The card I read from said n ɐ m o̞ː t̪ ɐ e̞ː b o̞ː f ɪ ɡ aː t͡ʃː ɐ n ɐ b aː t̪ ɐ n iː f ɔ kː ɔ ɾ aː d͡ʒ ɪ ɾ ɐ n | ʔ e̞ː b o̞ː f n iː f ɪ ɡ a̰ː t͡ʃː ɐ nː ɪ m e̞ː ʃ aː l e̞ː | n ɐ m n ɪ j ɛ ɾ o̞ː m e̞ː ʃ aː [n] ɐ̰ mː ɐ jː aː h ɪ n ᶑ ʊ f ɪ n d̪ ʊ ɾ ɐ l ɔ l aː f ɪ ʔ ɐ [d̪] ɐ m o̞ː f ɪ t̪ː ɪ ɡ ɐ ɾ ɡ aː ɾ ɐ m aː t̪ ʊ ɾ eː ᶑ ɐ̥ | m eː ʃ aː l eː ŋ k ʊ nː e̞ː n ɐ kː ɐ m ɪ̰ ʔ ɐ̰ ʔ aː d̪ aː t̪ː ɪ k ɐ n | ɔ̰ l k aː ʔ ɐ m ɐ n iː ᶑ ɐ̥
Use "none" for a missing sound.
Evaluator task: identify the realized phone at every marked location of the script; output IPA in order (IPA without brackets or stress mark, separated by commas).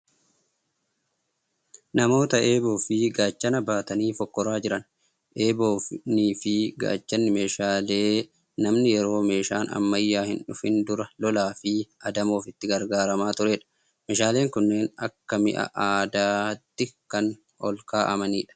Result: n, d̪